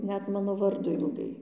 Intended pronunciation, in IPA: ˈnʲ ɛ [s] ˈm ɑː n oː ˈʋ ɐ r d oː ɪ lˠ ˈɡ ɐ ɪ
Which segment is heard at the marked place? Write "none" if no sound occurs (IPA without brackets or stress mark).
t